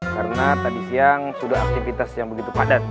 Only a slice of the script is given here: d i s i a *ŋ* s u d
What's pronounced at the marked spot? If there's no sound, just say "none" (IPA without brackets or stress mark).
ŋ